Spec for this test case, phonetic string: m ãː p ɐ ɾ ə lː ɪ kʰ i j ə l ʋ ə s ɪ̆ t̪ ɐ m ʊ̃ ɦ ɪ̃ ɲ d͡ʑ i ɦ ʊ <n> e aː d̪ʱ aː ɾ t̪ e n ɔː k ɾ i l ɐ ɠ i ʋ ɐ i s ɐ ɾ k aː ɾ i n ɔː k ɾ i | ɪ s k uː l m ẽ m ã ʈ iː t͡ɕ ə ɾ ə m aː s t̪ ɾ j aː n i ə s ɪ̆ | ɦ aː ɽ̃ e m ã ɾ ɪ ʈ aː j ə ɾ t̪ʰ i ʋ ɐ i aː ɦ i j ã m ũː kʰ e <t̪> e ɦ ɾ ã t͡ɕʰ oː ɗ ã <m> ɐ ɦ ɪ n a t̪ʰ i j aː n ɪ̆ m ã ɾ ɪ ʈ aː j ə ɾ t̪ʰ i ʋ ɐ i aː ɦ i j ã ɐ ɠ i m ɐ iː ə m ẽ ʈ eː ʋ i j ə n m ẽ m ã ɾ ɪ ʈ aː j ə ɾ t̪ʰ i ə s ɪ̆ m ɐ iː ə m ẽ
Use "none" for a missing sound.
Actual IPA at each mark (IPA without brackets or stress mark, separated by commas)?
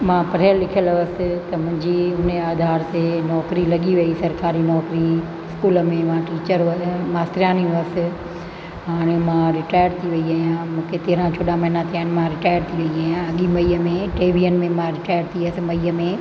n, t̪, m